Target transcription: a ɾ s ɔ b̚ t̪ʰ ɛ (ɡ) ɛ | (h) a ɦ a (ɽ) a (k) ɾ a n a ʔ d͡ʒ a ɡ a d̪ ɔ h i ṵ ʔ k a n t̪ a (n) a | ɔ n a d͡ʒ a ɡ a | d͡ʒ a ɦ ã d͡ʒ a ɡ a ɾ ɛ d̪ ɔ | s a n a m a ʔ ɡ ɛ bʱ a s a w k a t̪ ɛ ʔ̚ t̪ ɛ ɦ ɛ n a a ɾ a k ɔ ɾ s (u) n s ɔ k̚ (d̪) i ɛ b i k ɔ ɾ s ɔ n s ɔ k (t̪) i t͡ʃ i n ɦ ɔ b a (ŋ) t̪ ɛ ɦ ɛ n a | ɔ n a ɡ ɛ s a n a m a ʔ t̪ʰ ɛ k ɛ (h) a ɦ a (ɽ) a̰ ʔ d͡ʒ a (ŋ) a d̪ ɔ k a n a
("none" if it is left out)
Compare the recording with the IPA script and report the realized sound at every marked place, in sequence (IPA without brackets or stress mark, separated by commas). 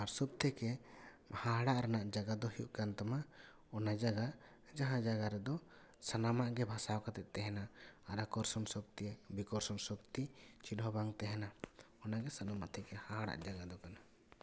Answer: k, h, ɽ, ʔ, m, ɔ, t̪, t̪, ŋ, h, ɽ, ɡ